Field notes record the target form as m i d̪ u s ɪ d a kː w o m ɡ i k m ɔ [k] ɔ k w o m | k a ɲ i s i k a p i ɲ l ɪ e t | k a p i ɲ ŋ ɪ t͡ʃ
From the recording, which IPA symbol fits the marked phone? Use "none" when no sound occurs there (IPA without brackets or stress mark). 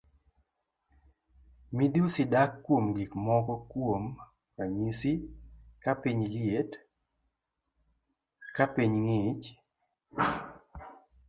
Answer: k